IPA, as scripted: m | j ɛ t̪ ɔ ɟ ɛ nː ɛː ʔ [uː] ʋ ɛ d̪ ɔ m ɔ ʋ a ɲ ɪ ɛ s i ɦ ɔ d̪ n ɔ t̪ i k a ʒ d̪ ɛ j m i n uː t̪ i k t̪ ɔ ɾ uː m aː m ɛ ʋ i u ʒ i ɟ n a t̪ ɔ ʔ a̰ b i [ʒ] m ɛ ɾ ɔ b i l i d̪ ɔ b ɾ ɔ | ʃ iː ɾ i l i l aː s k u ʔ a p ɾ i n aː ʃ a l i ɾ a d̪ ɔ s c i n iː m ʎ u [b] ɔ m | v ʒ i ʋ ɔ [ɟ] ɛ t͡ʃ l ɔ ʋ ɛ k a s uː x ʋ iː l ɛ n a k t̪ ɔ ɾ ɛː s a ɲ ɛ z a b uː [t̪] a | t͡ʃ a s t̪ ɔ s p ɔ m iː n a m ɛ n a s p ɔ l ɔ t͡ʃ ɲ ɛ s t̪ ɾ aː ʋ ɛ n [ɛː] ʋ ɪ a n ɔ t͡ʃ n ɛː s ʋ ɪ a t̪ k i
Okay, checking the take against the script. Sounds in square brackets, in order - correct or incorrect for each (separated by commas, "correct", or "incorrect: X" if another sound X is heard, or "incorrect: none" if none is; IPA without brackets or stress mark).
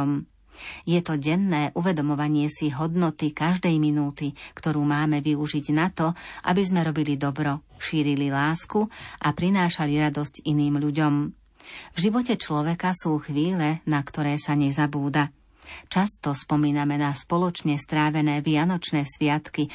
incorrect: u, incorrect: z, incorrect: ɟ, incorrect: c, incorrect: d̪, correct